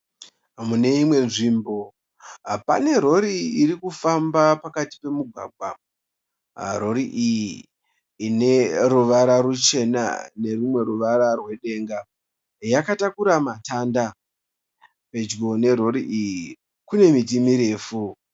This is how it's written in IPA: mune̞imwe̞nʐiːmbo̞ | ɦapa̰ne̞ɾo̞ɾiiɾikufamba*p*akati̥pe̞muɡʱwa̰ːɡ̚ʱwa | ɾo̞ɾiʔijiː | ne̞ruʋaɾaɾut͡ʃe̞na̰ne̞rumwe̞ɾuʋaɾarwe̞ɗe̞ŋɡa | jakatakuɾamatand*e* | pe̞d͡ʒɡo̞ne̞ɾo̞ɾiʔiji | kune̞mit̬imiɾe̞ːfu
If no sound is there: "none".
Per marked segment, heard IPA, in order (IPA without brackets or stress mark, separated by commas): p, a